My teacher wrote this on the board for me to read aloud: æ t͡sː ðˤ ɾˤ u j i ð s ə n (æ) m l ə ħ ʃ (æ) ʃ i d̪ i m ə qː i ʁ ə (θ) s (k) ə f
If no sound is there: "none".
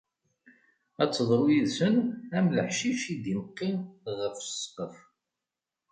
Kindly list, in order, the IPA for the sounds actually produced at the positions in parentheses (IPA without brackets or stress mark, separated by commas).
æ, i, f, q